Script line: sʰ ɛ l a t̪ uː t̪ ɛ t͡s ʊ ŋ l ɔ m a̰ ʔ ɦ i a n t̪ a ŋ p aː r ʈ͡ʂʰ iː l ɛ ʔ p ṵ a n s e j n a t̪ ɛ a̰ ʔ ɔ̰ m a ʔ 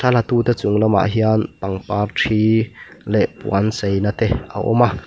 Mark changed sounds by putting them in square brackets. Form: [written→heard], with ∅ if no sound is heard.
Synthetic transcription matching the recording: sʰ [ɛ→a] l a t̪ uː t̪ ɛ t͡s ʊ ŋ l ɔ m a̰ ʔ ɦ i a n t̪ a ŋ p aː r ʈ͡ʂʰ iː l ɛ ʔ p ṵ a n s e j n a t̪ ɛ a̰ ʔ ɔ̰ m a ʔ